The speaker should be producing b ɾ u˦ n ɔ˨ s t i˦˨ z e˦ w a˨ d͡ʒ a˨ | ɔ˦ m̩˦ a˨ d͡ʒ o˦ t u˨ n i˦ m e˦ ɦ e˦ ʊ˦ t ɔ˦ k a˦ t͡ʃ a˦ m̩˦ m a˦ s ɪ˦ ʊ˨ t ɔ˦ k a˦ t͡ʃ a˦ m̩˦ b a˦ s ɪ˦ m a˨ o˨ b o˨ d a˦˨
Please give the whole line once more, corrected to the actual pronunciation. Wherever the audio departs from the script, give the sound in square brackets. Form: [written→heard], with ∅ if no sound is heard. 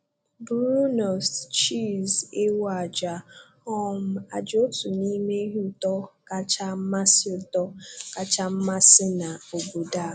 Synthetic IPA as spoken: b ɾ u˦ n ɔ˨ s [t→t͡ʃ] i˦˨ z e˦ w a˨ d͡ʒ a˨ | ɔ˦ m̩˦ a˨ d͡ʒ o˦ t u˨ n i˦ m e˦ ɦ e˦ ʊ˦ t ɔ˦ k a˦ t͡ʃ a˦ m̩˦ m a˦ s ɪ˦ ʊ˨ t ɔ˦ k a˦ t͡ʃ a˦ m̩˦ [b→m] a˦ s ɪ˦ [m→n] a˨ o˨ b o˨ d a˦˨